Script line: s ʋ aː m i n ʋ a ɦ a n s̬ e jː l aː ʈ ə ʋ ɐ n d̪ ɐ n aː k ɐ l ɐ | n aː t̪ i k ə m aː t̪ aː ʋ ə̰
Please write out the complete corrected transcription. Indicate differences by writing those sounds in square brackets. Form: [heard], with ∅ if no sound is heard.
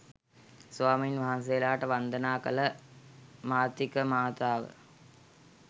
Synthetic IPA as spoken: s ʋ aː m i n ʋ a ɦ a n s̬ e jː l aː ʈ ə ʋ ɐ n d̪ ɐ n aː k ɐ l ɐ | [m] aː t̪ i k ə m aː t̪ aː ʋ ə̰